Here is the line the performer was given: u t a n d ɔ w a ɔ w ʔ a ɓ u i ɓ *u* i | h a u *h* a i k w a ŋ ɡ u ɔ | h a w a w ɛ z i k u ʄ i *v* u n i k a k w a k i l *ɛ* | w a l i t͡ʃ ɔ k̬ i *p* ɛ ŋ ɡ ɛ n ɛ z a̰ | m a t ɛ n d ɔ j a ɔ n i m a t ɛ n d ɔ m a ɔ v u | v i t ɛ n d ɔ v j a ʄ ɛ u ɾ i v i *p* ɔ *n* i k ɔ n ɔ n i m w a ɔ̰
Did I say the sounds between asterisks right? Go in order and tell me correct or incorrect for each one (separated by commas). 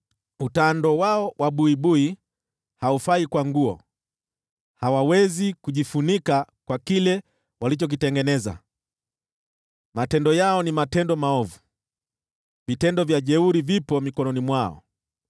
correct, incorrect, incorrect, correct, incorrect, correct, incorrect